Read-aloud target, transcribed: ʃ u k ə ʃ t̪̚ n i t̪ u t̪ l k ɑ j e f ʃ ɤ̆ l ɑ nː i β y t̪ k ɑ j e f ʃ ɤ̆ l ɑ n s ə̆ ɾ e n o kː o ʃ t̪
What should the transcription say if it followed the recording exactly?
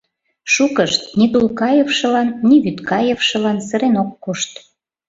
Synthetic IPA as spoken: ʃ u k ə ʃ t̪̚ n i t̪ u l k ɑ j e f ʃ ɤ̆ l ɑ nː i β y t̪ k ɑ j e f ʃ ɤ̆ l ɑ n s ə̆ ɾ e n o kː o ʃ t̪